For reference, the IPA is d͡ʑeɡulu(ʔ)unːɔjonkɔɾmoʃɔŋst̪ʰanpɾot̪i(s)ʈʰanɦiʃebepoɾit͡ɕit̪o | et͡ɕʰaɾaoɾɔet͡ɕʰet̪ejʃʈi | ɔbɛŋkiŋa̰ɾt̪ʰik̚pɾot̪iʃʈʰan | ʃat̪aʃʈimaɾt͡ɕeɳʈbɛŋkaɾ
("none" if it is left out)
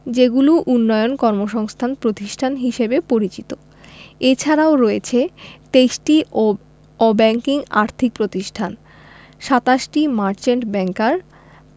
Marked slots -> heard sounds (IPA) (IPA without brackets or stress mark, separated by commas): ʔ, ʃ